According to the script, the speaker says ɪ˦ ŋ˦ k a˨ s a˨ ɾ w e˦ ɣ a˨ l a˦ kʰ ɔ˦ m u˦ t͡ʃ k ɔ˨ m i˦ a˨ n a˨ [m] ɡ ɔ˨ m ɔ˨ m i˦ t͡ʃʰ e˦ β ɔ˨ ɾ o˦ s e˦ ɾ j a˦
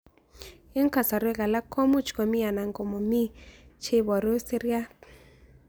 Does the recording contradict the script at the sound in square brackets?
yes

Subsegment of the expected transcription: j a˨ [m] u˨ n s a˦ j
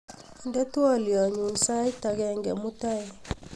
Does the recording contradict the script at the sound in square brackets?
yes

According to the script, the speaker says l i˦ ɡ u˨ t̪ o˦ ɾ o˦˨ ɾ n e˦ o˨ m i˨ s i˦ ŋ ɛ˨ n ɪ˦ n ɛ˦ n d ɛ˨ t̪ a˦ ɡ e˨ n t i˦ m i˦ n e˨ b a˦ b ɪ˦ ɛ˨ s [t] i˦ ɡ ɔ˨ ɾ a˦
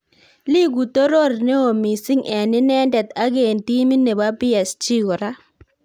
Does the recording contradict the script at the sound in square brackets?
yes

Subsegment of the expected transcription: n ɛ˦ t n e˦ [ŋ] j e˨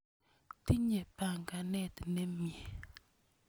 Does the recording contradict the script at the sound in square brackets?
yes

